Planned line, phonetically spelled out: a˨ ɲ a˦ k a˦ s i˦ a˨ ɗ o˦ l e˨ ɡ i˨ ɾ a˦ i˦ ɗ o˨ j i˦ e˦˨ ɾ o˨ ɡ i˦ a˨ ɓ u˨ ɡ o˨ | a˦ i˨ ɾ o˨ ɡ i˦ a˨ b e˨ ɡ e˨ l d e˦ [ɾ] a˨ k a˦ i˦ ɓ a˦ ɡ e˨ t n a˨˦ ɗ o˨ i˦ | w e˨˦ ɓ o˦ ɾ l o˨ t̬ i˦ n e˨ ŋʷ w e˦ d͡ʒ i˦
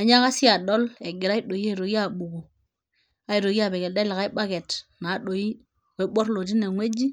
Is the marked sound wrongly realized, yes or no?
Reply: yes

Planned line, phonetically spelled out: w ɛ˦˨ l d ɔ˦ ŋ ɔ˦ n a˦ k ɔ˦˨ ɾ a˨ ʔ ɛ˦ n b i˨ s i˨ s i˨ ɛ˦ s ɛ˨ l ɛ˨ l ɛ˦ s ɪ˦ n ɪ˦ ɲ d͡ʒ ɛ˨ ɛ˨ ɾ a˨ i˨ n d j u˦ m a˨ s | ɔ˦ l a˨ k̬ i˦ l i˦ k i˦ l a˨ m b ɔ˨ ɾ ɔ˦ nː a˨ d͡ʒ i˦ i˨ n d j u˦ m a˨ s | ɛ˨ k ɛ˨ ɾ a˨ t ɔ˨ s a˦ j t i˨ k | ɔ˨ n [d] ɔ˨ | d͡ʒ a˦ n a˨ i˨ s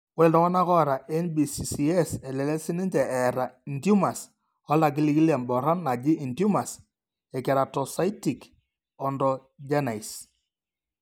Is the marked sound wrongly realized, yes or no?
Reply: no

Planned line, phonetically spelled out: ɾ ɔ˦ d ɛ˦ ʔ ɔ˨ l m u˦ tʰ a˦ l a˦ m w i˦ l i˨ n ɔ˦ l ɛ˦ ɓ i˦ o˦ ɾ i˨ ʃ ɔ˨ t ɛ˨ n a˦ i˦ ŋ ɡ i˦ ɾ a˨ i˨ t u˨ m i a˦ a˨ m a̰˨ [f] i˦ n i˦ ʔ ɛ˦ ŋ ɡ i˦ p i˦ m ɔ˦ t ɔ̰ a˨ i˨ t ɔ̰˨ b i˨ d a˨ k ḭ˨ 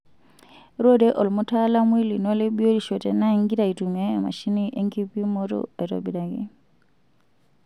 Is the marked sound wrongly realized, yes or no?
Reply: yes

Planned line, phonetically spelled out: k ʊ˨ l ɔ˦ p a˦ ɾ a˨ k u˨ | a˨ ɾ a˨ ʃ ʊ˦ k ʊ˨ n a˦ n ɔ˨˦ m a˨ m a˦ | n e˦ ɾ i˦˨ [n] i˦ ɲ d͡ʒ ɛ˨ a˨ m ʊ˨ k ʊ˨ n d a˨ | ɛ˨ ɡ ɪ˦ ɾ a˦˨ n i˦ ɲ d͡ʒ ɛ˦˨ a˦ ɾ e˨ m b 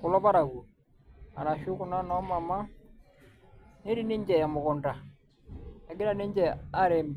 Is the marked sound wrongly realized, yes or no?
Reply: no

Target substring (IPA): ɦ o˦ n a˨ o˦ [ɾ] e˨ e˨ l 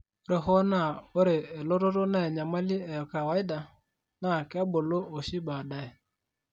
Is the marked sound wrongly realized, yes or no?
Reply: no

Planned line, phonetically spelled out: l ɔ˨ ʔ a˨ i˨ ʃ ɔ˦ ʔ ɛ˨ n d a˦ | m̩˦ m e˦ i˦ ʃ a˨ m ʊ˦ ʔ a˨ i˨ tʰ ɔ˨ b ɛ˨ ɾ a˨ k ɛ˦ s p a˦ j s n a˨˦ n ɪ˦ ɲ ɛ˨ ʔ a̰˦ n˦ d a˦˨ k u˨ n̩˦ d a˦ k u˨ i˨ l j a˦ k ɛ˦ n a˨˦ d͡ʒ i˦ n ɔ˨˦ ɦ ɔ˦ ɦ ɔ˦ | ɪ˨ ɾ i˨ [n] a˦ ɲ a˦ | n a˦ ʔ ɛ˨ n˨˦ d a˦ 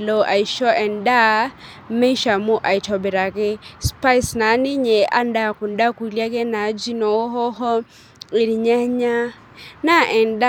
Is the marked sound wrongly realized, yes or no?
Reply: yes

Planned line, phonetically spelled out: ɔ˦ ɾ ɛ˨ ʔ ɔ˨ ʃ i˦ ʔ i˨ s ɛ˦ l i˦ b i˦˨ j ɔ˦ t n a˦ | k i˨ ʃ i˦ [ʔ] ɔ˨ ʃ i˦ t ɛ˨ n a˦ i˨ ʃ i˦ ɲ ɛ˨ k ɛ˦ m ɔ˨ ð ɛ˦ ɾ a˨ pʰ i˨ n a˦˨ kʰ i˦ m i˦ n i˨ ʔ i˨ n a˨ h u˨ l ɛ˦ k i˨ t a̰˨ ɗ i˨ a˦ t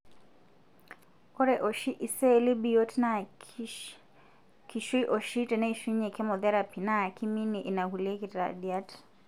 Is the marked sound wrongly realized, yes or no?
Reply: no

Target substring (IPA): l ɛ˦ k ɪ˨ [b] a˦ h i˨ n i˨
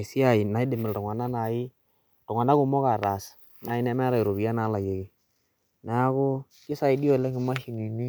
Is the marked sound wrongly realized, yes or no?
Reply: yes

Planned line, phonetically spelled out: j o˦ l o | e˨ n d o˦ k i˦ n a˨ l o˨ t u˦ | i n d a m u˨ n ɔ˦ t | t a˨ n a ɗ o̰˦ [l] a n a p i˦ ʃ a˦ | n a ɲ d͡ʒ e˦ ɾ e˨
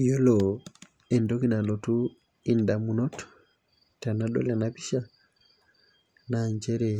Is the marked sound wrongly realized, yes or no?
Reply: no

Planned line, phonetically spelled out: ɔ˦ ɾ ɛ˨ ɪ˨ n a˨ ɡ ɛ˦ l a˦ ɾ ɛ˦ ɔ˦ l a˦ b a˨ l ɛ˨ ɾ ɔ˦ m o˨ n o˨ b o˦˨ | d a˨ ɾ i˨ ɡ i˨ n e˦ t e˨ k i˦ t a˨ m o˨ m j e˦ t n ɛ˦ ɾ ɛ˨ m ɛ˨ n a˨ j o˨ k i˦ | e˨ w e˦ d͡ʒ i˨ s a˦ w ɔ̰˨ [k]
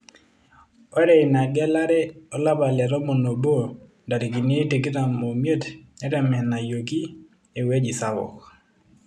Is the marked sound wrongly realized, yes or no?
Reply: no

